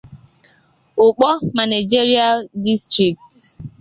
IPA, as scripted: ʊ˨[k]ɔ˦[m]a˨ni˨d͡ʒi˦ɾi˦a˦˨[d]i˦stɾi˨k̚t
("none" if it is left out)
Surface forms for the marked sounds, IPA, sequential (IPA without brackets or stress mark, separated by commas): k͡p, m, d